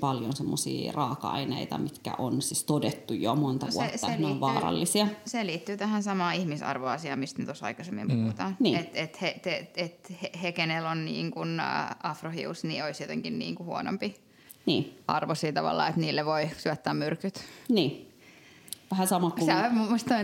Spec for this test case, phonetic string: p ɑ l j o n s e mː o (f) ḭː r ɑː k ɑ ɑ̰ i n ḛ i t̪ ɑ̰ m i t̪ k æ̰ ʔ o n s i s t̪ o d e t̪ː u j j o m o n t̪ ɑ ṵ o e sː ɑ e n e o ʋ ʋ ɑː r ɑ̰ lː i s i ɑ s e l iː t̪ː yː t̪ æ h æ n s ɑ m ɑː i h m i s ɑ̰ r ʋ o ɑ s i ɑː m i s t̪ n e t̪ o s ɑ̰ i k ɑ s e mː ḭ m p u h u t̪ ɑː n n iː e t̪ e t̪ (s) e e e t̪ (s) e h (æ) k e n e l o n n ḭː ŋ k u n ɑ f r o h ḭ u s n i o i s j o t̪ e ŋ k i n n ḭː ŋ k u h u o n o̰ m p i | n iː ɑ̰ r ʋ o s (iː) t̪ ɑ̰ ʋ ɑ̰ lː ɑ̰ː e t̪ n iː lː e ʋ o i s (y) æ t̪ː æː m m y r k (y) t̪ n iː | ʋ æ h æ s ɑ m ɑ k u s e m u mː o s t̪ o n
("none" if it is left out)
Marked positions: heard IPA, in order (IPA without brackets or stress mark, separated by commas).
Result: s, h, h, e, iː, y, y